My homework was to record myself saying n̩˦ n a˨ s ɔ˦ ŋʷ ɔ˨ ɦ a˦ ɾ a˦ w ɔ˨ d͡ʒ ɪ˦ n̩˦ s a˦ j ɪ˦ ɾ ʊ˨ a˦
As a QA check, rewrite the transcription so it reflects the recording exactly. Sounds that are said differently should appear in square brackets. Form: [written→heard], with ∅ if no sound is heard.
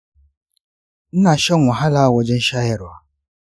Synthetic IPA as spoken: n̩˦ n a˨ [s→ʃ] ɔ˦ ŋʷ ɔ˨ ɦ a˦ [ɾ→l] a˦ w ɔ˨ d͡ʒ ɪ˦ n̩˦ [s→ʃ] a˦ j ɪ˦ ɾ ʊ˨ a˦